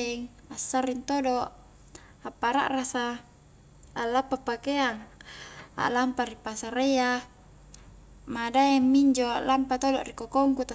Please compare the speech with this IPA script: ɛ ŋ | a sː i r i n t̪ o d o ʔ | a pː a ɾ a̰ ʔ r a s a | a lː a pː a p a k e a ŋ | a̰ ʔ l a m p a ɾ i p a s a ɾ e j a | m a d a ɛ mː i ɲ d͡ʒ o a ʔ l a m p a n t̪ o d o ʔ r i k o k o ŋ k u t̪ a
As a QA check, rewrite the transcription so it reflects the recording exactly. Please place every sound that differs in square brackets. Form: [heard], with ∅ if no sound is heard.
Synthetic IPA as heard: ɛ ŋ | a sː [a] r i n t̪ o d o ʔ | a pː a ɾ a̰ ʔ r a s a | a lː a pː a p a k e a ŋ | a̰ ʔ l a m p a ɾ i p a s a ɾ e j a | m a d a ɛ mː i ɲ d͡ʒ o a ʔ l a m p a [∅] t̪ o d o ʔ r i k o k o ŋ k u t̪ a